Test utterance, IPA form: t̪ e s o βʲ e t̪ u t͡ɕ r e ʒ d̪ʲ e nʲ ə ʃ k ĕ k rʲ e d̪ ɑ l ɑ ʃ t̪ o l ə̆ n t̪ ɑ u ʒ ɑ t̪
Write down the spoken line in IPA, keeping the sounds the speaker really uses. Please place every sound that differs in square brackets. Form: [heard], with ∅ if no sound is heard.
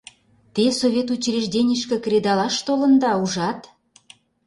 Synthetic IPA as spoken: t̪ e s o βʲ e t̪ u t͡ɕ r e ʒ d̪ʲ e nʲ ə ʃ k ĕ k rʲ e d̪ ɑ l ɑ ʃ t̪ o l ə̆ n [d̪] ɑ u ʒ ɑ t̪